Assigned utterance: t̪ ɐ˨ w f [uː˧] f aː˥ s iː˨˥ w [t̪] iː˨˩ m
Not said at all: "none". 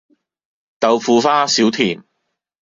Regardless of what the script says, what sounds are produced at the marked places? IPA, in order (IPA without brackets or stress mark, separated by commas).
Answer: uː˧, t̪ʰ